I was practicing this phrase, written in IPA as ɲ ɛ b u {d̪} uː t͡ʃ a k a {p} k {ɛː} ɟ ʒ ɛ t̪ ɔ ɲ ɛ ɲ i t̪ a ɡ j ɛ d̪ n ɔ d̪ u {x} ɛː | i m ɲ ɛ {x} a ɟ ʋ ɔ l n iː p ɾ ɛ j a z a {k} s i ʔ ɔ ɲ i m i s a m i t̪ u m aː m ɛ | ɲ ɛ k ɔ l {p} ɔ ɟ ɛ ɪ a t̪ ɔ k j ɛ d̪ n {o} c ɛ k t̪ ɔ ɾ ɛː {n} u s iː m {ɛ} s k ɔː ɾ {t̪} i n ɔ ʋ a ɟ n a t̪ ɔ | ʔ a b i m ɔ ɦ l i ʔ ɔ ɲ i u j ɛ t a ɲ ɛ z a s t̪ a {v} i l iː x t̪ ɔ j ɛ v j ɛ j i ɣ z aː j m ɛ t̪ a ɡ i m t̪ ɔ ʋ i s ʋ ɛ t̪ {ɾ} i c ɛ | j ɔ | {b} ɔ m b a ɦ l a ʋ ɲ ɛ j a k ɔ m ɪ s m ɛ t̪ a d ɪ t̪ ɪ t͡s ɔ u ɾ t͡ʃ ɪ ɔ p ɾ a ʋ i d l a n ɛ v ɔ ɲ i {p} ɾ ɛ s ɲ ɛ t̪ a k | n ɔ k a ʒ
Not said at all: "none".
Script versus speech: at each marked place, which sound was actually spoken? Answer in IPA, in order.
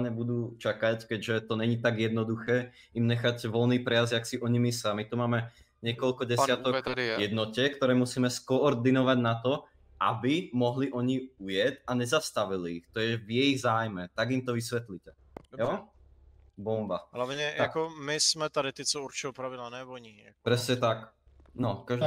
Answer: d̪, c, ɛ, x, x, k, k, ɔ, m, ɛ, d̪, ʋ, l, b, p

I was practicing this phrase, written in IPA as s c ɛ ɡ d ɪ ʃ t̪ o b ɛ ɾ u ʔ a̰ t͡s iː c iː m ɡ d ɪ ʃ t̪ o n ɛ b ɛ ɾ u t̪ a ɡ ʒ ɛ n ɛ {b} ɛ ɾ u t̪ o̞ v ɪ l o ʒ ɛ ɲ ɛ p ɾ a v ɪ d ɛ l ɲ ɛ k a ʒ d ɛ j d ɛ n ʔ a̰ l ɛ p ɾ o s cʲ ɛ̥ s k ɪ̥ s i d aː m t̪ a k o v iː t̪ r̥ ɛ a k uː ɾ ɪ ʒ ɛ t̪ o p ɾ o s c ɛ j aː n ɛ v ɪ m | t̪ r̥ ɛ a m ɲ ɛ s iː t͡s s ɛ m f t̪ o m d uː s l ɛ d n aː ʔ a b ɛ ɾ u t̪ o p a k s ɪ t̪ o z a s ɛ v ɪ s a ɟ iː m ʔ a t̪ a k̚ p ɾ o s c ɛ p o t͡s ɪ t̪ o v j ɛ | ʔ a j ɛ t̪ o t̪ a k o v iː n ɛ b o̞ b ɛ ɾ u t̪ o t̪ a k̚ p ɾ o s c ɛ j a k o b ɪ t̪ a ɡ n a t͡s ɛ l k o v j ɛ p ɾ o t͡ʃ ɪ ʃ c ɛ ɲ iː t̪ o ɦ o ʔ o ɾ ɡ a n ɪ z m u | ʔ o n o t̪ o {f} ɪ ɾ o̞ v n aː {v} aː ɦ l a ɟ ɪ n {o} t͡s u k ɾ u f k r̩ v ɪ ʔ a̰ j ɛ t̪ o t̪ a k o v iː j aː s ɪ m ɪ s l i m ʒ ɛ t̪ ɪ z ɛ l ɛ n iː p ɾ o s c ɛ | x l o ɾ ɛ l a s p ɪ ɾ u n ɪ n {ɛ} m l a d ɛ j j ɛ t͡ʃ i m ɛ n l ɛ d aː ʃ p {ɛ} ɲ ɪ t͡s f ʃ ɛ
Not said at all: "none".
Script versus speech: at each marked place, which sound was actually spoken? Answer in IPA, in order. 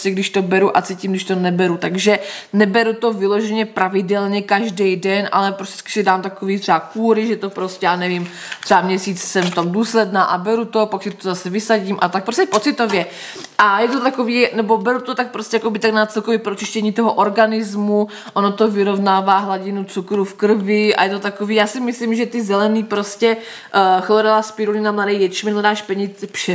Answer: b, v, v, u, a, ɛ

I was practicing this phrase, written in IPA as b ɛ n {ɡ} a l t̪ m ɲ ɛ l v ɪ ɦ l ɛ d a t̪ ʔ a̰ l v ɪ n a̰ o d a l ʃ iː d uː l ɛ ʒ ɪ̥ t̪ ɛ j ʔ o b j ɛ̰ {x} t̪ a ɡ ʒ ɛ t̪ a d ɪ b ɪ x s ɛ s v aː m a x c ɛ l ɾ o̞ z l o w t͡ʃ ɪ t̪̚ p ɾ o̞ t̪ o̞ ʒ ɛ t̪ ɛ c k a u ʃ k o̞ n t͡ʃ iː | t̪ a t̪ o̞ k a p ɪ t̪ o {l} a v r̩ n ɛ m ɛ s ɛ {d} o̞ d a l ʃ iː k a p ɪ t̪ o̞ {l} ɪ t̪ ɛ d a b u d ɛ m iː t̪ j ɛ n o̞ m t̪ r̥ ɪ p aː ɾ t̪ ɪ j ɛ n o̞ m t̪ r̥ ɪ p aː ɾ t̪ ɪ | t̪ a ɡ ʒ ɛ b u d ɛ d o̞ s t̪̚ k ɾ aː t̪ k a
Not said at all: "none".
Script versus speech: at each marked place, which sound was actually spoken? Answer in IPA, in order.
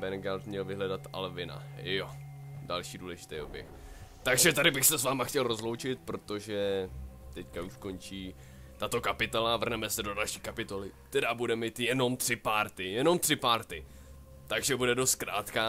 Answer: ɡ, x, l, d, l

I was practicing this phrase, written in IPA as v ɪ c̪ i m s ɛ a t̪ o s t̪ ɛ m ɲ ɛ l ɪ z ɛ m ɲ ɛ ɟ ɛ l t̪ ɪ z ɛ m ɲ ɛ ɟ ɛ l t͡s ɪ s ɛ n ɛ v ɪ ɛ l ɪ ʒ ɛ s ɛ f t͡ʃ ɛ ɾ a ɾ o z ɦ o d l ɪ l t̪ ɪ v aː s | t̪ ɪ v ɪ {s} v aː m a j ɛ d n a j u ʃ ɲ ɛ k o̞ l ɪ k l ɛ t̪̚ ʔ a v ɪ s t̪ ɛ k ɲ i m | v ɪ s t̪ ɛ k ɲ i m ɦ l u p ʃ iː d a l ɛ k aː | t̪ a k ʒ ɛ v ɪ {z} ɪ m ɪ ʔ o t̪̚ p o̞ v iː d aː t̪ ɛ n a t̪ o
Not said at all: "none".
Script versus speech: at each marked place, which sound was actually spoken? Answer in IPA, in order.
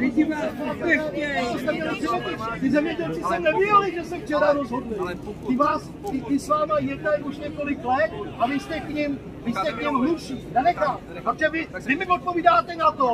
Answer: s, v

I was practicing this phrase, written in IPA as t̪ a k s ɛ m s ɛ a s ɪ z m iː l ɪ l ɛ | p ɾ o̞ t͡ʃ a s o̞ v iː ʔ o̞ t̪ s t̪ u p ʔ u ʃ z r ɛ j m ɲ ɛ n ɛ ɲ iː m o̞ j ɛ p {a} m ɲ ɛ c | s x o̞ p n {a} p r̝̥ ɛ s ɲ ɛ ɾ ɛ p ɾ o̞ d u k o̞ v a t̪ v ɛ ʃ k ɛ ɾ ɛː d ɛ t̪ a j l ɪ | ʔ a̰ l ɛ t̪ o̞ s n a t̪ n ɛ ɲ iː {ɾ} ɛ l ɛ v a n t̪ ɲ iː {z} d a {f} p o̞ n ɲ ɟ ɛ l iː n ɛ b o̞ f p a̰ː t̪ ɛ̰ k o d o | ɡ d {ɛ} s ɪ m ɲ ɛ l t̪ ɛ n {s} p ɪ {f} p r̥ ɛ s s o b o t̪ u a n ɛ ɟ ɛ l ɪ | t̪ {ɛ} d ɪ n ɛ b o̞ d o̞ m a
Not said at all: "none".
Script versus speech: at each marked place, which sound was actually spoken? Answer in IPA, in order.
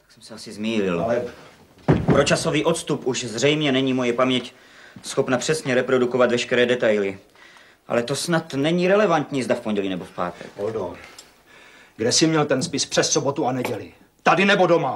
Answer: a, a, ɾ, z, f, ɛ, s, s, a

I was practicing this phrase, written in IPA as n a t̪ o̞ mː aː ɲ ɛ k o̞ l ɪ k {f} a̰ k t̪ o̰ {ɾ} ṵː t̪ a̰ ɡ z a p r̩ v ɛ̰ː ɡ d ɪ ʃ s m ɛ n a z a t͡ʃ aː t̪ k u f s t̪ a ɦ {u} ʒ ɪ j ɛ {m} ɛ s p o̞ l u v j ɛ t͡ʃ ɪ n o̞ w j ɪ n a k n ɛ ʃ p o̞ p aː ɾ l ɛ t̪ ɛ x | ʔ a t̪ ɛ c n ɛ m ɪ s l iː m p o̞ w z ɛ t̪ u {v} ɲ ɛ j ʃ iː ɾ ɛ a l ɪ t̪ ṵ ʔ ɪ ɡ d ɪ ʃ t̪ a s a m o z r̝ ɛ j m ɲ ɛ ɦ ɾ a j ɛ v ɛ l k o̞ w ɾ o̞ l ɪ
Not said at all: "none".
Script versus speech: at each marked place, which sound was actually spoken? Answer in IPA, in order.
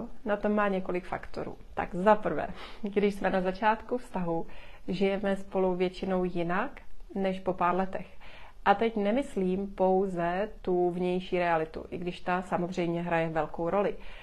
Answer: f, ɾ, u, m, v

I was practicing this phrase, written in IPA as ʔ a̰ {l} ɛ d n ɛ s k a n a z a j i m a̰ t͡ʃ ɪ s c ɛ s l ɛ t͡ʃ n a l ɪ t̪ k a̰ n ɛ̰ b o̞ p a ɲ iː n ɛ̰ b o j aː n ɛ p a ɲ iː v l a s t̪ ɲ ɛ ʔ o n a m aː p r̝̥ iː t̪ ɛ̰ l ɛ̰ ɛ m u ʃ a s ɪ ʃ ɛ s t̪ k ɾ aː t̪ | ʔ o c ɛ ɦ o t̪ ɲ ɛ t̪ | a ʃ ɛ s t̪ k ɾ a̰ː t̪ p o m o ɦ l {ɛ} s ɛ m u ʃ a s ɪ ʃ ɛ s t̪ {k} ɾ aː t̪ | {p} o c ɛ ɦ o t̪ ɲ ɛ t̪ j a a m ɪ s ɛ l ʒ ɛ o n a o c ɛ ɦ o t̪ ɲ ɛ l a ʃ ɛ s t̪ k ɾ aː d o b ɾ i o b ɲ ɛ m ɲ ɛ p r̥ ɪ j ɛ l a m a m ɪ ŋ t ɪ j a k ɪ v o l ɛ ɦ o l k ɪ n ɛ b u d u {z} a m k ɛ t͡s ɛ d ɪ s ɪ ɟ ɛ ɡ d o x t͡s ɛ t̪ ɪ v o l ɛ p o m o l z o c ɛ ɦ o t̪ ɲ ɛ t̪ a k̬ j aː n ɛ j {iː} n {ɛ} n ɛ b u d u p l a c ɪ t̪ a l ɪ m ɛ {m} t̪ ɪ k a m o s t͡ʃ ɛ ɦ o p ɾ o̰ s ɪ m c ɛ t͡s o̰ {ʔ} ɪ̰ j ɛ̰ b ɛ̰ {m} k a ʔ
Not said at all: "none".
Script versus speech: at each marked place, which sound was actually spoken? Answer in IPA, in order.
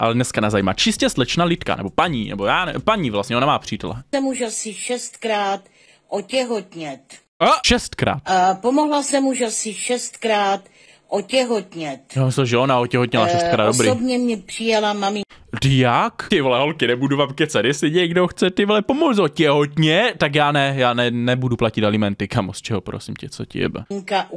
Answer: l, a, k, ʔ, v, aː, ɛ, n, c, ŋ

